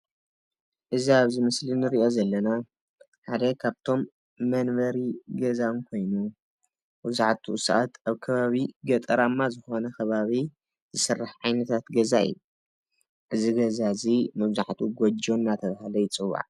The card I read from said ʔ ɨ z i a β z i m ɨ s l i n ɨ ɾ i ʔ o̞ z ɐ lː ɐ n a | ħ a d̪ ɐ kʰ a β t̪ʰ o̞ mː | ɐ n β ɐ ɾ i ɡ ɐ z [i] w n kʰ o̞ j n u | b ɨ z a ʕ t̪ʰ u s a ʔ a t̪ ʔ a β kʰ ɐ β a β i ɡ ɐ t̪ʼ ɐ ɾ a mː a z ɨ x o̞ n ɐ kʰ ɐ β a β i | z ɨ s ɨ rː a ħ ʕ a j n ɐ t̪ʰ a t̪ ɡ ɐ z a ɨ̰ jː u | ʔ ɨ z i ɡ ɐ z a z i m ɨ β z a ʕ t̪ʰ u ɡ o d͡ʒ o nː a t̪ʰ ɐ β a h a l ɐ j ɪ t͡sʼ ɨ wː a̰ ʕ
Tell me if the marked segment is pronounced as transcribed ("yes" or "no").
no